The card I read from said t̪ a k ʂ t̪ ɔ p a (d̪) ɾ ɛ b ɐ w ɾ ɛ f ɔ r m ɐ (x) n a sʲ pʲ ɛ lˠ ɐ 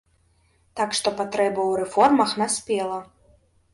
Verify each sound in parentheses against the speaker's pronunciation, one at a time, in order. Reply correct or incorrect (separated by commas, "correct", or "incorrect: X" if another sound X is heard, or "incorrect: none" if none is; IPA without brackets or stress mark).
incorrect: t̪, correct